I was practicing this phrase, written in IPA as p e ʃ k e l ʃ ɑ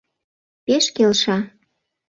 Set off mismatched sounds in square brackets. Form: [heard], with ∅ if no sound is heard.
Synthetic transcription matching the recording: p e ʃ k e l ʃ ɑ